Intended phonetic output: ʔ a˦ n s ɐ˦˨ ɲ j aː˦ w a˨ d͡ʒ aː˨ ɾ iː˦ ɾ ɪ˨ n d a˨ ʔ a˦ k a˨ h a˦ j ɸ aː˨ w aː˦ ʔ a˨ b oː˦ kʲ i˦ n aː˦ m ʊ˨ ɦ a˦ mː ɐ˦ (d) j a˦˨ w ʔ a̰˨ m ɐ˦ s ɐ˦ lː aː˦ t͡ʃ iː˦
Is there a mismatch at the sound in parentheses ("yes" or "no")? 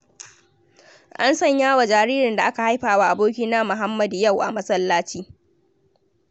no